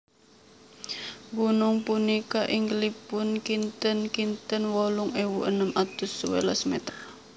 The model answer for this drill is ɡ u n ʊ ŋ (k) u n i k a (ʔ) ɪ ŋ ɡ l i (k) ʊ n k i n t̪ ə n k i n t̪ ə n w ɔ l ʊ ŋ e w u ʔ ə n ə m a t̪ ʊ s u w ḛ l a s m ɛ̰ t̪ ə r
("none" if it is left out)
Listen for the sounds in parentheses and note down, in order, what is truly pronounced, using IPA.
p, ʔ, p

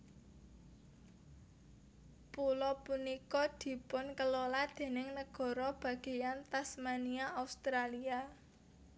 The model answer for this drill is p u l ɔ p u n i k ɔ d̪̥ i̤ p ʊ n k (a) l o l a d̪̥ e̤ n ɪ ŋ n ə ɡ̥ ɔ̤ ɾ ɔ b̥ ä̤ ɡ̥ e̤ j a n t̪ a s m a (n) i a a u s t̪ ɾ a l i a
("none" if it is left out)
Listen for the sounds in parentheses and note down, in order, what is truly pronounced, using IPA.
ə, n

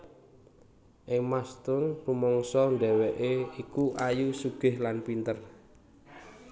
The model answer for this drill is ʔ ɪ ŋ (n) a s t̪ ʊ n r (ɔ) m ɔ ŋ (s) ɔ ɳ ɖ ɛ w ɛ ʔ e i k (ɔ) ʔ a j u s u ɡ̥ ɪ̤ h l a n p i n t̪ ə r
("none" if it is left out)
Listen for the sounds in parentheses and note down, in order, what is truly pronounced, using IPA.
m, u, s, u

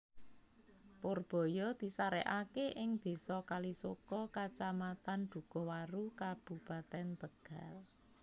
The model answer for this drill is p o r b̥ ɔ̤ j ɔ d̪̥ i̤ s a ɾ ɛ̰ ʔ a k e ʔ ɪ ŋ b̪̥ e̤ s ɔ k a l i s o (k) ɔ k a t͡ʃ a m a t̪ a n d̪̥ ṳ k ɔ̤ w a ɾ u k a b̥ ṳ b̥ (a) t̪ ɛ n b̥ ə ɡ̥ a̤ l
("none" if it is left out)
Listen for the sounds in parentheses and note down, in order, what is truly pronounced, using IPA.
k, a

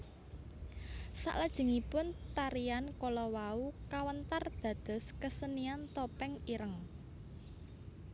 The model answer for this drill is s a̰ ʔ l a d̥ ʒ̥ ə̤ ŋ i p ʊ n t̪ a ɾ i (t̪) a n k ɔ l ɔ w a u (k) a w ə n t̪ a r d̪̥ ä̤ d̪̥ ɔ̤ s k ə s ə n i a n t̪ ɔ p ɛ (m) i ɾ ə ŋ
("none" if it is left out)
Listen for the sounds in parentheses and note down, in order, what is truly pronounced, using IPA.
none, k, ŋ

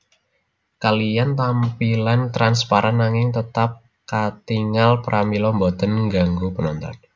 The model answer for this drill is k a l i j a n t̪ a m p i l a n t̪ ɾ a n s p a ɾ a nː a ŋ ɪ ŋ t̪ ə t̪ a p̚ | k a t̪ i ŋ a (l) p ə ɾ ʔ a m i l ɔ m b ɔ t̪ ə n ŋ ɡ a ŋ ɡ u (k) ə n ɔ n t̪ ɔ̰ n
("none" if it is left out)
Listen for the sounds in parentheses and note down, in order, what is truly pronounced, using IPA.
l, p

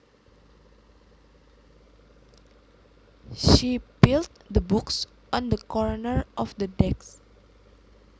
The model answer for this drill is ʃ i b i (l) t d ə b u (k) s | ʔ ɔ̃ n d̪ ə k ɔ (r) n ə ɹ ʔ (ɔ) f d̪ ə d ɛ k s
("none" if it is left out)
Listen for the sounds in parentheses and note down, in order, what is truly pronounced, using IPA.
l, k, ɹ, ɔ

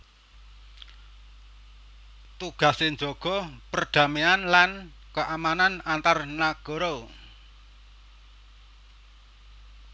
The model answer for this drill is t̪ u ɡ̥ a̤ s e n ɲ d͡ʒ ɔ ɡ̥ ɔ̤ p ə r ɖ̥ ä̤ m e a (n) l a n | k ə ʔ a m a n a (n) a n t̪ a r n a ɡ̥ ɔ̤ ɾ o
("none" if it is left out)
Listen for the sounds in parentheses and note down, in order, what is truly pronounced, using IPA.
n, n

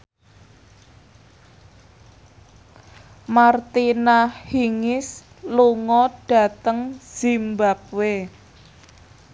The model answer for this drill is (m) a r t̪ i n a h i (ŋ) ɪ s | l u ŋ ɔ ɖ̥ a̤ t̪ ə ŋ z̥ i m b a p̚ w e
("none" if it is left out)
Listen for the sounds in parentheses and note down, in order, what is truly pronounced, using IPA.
m, ŋ

